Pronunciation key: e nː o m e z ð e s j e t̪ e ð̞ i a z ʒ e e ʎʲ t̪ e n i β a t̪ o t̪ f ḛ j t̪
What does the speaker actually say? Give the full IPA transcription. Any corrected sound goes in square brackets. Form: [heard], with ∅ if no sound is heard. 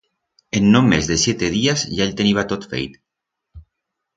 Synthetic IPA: e nː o m e z ð e s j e t̪ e ð̞ i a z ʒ [a] e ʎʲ t̪ e n i β a t̪ o t̪ f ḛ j t̪

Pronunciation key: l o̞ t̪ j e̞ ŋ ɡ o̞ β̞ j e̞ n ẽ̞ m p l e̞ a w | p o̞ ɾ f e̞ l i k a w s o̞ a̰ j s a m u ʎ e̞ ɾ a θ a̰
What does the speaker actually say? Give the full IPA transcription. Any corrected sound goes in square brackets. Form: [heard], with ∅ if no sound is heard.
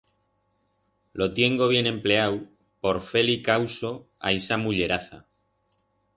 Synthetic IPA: l o̞ t̪ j e̞ ŋ ɡ o̞ β̞ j e̞ n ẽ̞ m p l e̞ a w | p o̞ ɾ f e̞ l i k a w s o̞ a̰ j s a m u ʎ e̞ ɾ a θ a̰

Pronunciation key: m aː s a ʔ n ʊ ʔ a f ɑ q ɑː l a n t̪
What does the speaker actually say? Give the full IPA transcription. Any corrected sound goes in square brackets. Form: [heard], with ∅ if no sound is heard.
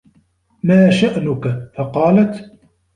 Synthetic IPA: m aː [ʃ] a ʔ n ʊ [k] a f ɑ q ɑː l a [∅] t̪

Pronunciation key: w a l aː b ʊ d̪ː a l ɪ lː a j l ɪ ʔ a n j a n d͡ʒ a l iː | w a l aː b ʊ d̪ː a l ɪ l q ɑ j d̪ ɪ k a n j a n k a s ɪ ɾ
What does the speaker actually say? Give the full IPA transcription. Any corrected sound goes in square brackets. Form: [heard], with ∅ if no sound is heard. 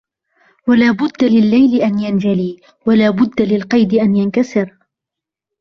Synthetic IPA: w a l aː b ʊ d̪ː a l ɪ lː a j l ɪ ʔ a n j a n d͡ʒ a l iː | w a l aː b ʊ d̪ː a l ɪ l q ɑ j d̪ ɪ [ʔ] a n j a n k a s ɪ ɾ

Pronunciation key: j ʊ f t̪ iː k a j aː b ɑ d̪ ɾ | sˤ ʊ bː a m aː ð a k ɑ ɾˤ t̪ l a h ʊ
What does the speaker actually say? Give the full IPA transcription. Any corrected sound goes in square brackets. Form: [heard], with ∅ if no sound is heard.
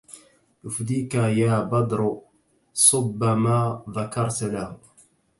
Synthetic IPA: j ʊ f [d̪] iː k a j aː b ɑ d̪ ɾ | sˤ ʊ bː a m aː ð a k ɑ ɾˤ t̪ l a h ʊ

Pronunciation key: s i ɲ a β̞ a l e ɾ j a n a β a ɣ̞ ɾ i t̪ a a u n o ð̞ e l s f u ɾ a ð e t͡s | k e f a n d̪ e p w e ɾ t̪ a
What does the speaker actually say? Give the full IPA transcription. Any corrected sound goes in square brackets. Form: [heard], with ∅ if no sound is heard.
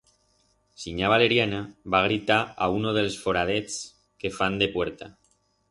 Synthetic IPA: s i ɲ a β̞ a l e ɾ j a n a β a ɣ̞ ɾ i t̪ a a u n o ð̞ e l s f [o] ɾ a ð e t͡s | k e f a n d̪ e p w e ɾ t̪ a

